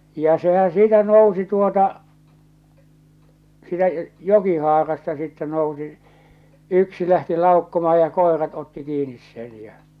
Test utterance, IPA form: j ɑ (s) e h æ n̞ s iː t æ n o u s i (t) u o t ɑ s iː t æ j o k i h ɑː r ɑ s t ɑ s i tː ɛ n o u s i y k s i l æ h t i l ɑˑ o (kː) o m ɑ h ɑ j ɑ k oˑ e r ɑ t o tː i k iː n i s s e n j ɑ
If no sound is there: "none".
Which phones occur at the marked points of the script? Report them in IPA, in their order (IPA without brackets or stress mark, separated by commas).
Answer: s, t, kː